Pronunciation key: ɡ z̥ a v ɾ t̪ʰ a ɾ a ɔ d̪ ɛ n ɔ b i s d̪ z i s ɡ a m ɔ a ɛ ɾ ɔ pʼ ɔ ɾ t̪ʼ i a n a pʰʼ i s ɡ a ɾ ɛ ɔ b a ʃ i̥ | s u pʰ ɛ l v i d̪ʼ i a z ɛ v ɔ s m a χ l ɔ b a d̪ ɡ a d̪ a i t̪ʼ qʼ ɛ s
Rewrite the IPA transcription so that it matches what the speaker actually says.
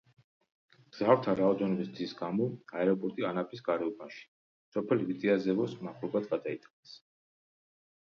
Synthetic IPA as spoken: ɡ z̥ a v ɾ t̪ʰ a ɾ a ɔ d̪ ɛ n ɔ b i s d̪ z i s ɡ a m ɔ a ɛ ɾ ɔ pʼ ɔ ɾ t̪ʼ i a n a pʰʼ i s ɡ a ɾ ɛ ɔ b a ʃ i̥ | s ɔ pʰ ɛ l v i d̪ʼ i a z ɛ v ɔ s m a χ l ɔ b a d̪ ɡ a d̪ a i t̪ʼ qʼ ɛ s

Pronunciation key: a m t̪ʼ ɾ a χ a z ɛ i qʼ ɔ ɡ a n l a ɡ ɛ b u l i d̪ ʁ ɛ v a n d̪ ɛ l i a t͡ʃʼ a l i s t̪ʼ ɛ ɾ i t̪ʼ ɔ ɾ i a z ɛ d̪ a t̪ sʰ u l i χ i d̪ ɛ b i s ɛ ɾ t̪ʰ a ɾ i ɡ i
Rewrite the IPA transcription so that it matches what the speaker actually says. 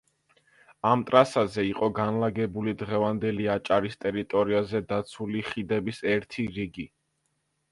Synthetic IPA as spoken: a m t̪ʼ ɾ a s a z ɛ i qʼ ɔ ɡ a n l a ɡ ɛ b u l i d̪ ʁ ɛ v a n d̪ ɛ l i a t͡ʃʼ a ɾ i s t̪ʼ ɛ ɾ i t̪ʼ ɔ ɾ i a z ɛ d̪ a t̪ sʰ u l i χ i d̪ ɛ b i s ɛ ɾ t̪ʰ i ɾ i ɡ i

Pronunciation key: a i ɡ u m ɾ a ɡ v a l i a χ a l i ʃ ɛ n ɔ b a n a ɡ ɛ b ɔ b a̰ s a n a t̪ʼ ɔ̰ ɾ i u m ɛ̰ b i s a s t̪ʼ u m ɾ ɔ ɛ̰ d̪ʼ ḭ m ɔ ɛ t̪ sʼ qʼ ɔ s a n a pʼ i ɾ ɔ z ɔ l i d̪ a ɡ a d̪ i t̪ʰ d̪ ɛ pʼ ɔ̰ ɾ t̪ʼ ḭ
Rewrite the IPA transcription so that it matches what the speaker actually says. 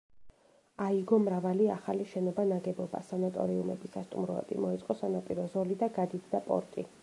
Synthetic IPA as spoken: a i ɡ ɔ m ɾ a v a l i a χ a l i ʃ ɛ n ɔ b a n a ɡ ɛ b ɔ b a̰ s a n a t̪ʼ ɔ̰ ɾ i u m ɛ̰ b i s a s t̪ʼ u m ɾ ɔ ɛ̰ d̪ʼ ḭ m ɔ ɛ t̪ sʼ qʼ ɔ s a n a pʼ i ɾ ɔ z ɔ l i d̪ a ɡ a d̪ i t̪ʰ d̪ a pʼ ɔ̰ ɾ t̪ʼ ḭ

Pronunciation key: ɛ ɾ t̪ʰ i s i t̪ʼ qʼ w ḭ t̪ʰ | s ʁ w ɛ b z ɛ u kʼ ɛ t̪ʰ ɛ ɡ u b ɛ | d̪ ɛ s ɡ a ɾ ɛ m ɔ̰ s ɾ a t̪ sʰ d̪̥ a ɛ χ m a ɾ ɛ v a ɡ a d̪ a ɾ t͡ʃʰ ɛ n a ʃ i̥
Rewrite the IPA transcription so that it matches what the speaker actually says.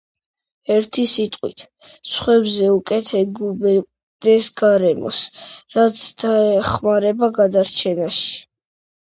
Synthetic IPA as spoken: ɛ ɾ t̪ʰ i s i t̪ʼ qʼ w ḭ t̪ʰ | s χ w ɛ b z ɛ u kʼ ɛ t̪ʰ ɛ ɡ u b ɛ | d̪ ɛ s ɡ a ɾ ɛ m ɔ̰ s ɾ a t̪ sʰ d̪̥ a ɛ χ m a ɾ ɛ b a ɡ a d̪ a ɾ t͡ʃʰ ɛ n a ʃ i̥

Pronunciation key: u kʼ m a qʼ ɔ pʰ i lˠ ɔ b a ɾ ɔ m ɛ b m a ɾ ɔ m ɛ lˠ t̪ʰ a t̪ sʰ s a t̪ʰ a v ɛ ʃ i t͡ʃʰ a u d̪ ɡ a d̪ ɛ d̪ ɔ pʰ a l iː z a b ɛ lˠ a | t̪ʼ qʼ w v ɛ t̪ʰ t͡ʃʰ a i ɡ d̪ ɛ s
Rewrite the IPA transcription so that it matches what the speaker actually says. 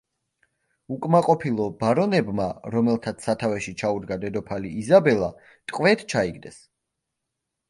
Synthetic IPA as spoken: u kʼ m a qʼ ɔ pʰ i lˠ ɔ b a ɾ ɔ n ɛ b m a ɾ ɔ m ɛ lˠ t̪ʰ a t̪ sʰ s a t̪ʰ a v ɛ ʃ i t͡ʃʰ a u d̪ ɡ a d̪ ɛ d̪ ɔ pʰ a l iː z a b ɛ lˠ a | t̪ʼ qʼ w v ɛ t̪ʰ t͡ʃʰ a i ɡ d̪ ɛ s

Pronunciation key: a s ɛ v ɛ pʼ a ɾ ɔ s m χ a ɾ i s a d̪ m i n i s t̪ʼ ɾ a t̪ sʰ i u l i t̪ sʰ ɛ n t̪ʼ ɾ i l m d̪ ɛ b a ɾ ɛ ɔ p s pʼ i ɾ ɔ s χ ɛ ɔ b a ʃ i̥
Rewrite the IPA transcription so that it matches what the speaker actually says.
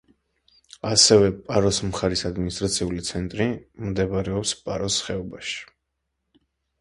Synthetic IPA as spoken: a s ɛ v ɛ pʼ a ɾ ɔ s m χ a ɾ i s a d̪ m i n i s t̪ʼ ɾ a t̪ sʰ i u l i t̪ sʰ ɛ n t̪ʼ ɾ i m d̪ ɛ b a ɾ ɛ ɔ p s pʼ a ɾ ɔ s χ ɛ ɔ b a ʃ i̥

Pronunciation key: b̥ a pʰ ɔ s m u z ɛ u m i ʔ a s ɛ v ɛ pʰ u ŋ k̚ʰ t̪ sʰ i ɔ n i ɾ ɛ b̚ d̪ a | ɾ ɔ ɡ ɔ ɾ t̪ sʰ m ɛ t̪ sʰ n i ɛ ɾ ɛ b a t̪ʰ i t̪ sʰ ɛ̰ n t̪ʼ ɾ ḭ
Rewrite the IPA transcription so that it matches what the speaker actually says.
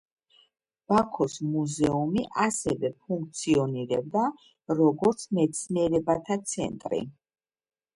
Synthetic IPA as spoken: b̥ a kʰ ɔ s m u z ɛ u m i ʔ a s ɛ v ɛ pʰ u ŋ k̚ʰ t̪ sʰ i ɔ n i ɾ ɛ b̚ d̪ a | ɾ ɔ ɡ ɔ ɾ t̪ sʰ m ɛ t̪ sʰ n i ɛ ɾ ɛ b a t̪ʰ a t̪ sʰ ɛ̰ n t̪ʼ ɾ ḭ

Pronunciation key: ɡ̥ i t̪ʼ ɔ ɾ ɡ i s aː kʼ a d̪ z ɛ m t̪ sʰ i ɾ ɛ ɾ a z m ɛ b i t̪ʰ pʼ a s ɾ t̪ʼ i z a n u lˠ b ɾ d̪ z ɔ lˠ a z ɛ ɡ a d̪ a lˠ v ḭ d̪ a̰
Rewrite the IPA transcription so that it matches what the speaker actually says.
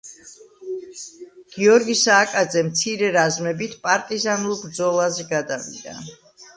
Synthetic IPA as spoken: ɡ̥ i ɔ ɾ ɡ i s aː kʼ a d̪ z ɛ m t̪ sʰ i ɾ ɛ ɾ a z m ɛ b i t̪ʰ pʼ a ɾ t̪ʼ i z a n u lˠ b ɾ d̪ z ɔ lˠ a z ɛ ɡ a d̪ a v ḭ d̪ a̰

